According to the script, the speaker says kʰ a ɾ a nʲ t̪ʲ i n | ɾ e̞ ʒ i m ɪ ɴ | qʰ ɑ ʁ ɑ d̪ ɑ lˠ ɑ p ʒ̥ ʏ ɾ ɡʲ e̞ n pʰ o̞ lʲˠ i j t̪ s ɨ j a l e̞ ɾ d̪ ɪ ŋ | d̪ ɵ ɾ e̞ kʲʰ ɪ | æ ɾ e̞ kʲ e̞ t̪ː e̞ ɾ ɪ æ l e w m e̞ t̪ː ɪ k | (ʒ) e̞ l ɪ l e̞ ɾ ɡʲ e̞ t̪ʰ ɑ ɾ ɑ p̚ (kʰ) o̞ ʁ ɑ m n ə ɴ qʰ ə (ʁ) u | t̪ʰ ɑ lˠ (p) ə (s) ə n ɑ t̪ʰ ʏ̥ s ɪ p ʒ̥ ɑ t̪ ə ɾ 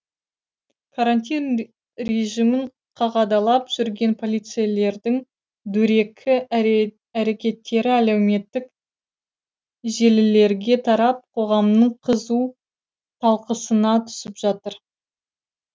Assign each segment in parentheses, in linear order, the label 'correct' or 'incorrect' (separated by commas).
correct, incorrect, incorrect, incorrect, correct